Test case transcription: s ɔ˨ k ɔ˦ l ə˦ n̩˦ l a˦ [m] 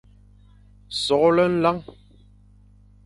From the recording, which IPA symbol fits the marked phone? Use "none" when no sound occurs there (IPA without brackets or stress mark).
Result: ŋ